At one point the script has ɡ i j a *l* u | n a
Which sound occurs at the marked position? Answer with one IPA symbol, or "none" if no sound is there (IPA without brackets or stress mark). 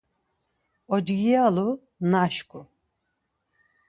l